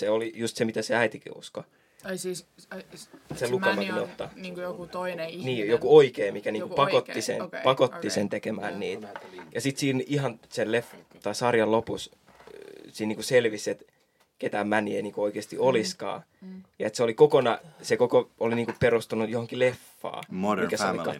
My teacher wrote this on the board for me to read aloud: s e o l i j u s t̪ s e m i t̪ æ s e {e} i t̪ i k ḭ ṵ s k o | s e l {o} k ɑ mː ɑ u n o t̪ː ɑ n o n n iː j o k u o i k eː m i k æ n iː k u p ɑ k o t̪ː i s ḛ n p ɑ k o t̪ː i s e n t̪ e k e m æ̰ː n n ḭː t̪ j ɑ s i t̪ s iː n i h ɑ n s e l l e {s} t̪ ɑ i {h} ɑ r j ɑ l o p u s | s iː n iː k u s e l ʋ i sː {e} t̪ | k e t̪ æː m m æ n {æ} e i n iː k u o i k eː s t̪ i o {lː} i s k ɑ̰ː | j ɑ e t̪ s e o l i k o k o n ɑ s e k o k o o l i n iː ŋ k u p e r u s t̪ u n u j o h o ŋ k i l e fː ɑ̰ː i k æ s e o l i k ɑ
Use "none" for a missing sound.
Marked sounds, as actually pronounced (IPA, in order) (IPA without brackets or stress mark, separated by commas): æ, u, f, s, e, i, l